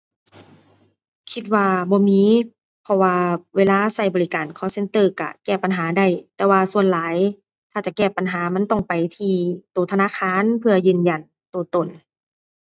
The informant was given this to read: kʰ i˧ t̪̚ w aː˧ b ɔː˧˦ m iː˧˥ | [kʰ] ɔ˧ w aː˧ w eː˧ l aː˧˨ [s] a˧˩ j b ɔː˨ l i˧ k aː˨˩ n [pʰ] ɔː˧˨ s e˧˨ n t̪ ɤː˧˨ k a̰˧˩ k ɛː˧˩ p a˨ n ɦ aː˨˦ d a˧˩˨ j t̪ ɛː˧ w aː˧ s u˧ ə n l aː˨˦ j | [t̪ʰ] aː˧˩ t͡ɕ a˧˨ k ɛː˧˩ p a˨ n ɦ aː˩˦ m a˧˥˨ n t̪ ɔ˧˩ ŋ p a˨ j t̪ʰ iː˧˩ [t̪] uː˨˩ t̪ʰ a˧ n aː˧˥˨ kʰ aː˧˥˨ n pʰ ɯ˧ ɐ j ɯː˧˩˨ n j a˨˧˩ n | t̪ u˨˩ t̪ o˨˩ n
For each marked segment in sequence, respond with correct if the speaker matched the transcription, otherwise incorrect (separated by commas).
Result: incorrect, correct, incorrect, correct, correct